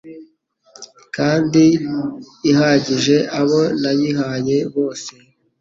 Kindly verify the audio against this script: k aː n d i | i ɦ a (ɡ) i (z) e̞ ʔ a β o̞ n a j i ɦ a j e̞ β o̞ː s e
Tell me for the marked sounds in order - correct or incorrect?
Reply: incorrect: ɟ, incorrect: ʒ

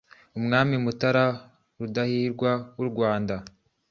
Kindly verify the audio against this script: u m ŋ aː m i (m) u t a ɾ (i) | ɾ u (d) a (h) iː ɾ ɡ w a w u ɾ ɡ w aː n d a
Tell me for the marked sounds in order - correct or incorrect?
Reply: correct, incorrect: a, correct, correct

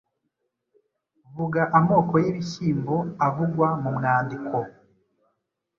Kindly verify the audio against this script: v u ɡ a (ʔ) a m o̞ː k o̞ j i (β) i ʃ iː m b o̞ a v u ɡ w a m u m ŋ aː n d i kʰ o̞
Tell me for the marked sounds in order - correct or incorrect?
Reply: correct, correct

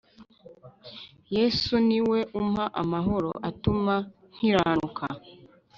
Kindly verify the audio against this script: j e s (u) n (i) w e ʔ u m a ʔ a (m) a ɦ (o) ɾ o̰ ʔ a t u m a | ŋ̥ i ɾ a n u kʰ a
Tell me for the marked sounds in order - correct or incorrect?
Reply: correct, correct, correct, correct

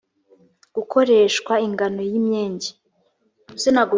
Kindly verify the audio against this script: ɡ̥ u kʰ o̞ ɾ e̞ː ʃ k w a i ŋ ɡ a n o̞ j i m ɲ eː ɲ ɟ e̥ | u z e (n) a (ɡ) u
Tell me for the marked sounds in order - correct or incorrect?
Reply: correct, correct

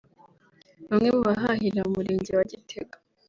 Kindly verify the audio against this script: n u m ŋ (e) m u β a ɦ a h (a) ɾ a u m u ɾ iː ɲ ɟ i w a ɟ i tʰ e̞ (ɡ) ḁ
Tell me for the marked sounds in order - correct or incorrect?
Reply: correct, incorrect: i, correct

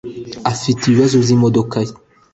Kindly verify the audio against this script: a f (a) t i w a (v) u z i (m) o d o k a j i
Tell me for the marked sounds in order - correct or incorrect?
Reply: incorrect: i, incorrect: z, correct

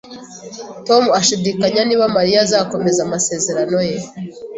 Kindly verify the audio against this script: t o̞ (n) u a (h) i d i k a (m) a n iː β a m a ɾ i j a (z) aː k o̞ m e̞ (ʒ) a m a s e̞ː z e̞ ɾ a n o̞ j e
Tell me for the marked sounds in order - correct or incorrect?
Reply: incorrect: m, incorrect: ʃ, incorrect: ɲ, correct, incorrect: z

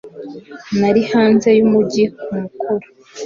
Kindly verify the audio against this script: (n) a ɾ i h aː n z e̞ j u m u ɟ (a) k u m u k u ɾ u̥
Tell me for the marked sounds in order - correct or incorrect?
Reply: correct, incorrect: i

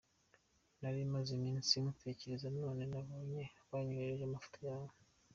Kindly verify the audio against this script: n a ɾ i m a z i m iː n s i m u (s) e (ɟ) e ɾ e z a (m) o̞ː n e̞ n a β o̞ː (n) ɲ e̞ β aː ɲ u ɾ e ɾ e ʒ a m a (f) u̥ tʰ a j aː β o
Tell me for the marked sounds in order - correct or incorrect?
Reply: incorrect: t, incorrect: c, incorrect: n, incorrect: none, correct

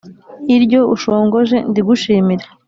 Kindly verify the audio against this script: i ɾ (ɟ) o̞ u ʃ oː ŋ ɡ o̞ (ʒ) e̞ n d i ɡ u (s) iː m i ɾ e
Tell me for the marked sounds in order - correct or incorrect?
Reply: correct, correct, incorrect: ʃ

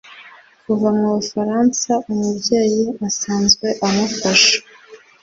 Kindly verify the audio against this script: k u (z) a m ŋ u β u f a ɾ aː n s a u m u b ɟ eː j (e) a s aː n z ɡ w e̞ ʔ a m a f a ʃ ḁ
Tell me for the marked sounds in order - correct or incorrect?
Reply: incorrect: v, incorrect: i

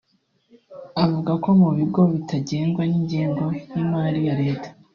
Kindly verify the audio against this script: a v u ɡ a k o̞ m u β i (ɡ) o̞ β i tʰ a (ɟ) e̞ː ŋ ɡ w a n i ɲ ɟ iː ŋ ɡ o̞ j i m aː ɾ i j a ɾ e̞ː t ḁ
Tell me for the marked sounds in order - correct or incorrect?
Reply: correct, correct

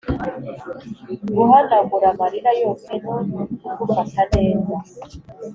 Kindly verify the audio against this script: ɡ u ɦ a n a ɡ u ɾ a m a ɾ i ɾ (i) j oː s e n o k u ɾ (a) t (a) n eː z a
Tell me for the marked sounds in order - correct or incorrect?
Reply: incorrect: a, correct, correct

